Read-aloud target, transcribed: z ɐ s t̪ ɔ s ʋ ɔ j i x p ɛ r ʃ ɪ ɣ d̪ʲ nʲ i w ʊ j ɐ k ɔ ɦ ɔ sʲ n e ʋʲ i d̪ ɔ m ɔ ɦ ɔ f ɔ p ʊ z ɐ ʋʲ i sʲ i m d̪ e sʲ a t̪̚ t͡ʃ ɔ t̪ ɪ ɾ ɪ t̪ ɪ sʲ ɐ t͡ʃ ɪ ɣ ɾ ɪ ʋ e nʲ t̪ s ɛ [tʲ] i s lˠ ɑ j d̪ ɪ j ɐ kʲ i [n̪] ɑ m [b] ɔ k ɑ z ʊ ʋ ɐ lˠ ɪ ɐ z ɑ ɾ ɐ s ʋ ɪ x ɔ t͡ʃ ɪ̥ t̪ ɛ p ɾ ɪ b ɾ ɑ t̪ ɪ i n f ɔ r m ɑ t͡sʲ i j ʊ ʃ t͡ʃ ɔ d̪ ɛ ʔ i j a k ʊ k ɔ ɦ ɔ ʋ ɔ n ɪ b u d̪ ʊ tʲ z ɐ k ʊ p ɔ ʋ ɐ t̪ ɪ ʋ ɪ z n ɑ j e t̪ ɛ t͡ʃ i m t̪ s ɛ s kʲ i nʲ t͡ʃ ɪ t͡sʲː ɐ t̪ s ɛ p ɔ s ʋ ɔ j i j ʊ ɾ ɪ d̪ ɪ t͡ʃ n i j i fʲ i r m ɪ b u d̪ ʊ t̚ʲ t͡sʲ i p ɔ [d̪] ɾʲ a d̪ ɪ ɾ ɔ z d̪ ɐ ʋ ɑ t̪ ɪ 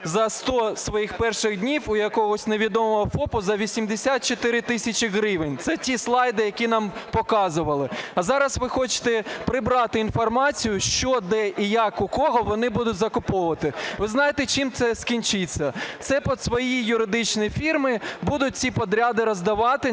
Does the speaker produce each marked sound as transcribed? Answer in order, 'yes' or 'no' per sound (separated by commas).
yes, yes, no, yes